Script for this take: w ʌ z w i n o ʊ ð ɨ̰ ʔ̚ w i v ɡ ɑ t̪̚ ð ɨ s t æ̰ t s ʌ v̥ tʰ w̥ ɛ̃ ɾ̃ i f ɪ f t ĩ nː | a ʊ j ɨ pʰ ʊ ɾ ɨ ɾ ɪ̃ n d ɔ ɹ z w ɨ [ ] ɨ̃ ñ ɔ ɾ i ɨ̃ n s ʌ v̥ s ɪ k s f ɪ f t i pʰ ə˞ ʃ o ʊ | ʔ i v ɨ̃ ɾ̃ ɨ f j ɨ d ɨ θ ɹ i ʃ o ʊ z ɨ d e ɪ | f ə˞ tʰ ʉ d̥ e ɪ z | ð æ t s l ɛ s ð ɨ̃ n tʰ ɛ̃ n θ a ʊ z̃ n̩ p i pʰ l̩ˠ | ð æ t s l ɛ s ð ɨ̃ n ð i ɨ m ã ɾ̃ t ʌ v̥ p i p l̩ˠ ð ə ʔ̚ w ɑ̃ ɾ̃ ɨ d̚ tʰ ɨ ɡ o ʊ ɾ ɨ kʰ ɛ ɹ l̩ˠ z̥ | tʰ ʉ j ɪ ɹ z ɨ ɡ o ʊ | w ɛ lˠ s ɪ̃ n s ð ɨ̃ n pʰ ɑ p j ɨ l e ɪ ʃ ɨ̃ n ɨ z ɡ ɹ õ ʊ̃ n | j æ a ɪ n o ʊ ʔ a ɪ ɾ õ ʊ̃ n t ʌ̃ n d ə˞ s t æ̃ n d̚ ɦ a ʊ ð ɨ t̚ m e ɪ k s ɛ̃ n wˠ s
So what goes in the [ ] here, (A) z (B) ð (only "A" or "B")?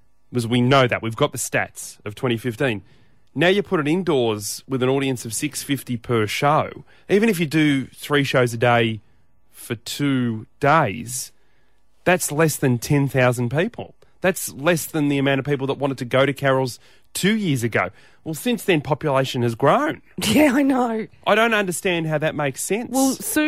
B